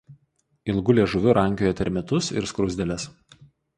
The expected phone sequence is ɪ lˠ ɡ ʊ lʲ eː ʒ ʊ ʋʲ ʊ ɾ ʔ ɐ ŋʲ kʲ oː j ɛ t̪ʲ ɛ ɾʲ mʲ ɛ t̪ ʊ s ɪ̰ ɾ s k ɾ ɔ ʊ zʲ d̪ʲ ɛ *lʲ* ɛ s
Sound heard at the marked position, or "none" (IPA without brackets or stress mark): lʲ